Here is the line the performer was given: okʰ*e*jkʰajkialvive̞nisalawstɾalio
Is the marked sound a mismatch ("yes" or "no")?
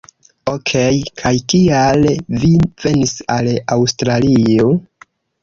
no